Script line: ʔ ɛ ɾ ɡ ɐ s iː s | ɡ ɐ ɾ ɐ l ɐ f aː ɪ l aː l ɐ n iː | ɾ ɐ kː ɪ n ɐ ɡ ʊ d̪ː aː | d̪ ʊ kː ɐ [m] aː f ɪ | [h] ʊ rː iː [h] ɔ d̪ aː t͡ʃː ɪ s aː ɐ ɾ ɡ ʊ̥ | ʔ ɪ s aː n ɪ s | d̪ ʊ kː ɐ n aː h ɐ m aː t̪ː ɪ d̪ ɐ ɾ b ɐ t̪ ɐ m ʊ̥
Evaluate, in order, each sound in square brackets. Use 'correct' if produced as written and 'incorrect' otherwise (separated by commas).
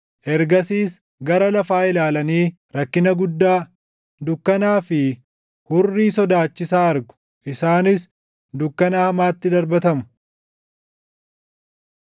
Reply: incorrect, correct, incorrect